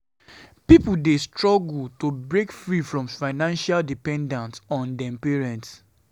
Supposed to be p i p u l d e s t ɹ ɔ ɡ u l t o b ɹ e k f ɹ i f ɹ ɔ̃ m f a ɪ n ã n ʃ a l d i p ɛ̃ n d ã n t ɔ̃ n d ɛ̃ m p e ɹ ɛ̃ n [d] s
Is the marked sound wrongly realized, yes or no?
yes